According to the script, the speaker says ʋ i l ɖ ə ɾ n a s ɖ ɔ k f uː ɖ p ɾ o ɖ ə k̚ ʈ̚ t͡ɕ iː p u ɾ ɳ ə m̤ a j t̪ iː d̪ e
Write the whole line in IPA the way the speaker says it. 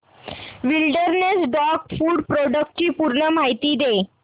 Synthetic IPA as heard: ʋ i l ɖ ə ɾ n e s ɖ ɔ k f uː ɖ p ɾ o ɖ ə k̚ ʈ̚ t͡ɕ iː p u ɾ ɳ ə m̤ a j t̪ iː d̪ e